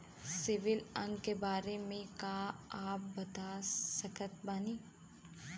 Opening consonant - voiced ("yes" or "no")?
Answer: no